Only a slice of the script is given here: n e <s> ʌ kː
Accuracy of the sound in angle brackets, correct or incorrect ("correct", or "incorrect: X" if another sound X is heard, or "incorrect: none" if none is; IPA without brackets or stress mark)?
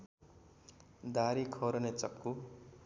incorrect: t͡s